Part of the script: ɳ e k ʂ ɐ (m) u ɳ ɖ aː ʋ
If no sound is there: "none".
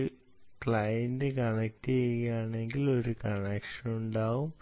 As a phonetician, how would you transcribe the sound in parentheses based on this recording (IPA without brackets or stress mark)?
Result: n